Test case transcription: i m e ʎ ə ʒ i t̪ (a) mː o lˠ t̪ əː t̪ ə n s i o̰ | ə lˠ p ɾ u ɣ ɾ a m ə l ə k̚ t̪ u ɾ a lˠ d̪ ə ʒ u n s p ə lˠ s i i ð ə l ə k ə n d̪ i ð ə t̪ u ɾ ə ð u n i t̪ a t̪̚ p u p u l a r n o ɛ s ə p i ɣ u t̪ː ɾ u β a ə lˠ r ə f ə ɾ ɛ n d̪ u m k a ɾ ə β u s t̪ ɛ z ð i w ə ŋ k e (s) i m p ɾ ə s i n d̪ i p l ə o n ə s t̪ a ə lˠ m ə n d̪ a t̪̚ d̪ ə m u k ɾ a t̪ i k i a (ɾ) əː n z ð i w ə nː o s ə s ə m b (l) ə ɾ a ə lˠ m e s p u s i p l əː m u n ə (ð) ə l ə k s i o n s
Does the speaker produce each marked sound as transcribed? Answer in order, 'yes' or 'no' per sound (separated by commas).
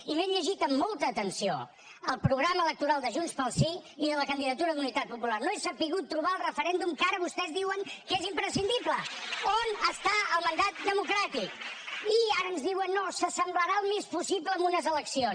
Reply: no, no, yes, yes, no